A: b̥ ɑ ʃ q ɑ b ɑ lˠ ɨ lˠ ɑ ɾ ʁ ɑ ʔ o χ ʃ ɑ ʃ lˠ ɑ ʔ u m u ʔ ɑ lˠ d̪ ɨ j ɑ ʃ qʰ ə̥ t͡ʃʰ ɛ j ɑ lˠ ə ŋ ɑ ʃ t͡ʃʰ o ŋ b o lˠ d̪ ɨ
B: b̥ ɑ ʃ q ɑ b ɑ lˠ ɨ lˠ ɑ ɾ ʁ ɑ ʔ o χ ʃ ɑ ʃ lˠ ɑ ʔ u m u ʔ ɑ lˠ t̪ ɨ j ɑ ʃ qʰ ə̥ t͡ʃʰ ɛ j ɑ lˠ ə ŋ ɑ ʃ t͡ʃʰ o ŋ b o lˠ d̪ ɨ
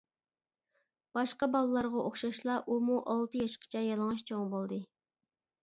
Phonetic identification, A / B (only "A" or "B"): B